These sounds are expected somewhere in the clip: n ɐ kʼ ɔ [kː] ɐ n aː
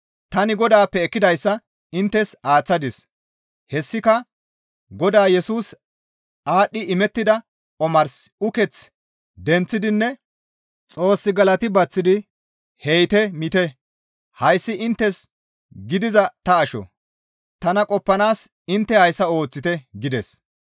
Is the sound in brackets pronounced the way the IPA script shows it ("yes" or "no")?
no